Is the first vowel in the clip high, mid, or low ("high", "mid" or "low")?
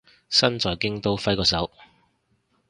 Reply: low